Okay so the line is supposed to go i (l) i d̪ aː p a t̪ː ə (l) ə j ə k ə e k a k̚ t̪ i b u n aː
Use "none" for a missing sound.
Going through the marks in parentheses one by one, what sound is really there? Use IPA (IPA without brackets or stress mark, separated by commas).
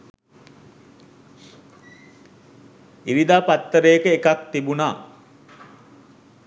ɾ, ɾ